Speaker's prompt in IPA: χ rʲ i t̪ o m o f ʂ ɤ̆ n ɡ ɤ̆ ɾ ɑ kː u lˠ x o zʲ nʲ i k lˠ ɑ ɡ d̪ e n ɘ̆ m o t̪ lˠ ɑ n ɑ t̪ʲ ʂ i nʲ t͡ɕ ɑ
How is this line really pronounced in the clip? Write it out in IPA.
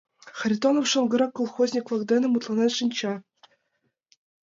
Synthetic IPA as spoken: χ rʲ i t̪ o n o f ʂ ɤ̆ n ɡ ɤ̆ ɾ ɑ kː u lˠ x o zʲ nʲ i k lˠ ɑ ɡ d̪ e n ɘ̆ m u t̪ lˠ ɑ n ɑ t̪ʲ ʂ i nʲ t͡ɕ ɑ